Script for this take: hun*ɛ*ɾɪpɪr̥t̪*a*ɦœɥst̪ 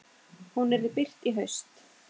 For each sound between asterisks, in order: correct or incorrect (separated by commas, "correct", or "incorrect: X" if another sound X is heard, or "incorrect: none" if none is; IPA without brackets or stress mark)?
correct, incorrect: i